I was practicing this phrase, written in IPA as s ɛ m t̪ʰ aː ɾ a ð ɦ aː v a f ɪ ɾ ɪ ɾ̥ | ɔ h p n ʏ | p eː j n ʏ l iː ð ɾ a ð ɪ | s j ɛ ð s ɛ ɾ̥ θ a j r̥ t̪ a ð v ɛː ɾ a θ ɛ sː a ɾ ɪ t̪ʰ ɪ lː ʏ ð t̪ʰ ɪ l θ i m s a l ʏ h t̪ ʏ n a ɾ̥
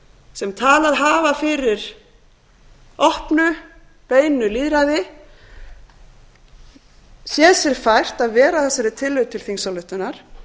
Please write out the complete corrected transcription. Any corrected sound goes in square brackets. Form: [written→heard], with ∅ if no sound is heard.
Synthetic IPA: s ɛ m t̪ʰ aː [ɾ→l] a ð ɦ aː v a f ɪ ɾ ɪ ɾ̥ | ɔ h p n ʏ | p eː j n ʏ l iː ð ɾ a ð ɪ | s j ɛ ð s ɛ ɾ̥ [θ→f] a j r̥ t̪ a ð v ɛː ɾ a θ ɛ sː a ɾ ɪ t̪ʰ ɪ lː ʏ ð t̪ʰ ɪ l θ i [m→ŋ] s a l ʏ h t̪ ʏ n a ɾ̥